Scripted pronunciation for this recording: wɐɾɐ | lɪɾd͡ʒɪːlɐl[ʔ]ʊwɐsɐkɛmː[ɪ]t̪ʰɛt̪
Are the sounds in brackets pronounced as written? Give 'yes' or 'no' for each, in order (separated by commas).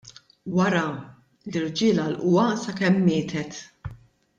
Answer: yes, no